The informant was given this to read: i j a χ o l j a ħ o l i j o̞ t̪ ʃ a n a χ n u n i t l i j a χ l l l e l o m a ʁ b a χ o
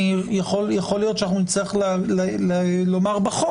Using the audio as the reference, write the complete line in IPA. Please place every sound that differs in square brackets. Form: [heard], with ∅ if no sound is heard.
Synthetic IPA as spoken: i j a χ o l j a [χ] o l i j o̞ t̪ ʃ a n a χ n u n i [t͡s] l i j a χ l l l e l o m a ʁ b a χ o